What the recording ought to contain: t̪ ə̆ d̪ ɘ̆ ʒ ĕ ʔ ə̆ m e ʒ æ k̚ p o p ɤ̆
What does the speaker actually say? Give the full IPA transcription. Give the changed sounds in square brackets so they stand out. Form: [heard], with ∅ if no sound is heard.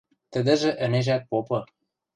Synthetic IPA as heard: t̪ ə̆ d̪ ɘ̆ ʒ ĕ ʔ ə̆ [n] e ʒ æ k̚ p o p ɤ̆